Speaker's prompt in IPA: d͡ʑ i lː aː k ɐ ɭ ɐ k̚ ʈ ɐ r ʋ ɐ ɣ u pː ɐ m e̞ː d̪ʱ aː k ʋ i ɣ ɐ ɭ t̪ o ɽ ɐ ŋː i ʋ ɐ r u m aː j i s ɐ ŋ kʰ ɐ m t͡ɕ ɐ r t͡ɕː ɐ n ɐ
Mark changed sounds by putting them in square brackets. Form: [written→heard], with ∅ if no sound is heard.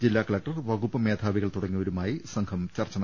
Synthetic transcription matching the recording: d͡ʑ i lː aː k ɐ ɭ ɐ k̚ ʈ ɐ r ʋ ɐ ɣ u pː ɐ m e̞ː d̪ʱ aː [k→∅] ʋ i ɣ ɐ ɭ t̪ [o→u] ɽ ɐ ŋː i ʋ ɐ [r→ɾ] u m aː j i s ɐ ŋ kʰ ɐ m t͡ɕ ɐ r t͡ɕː ɐ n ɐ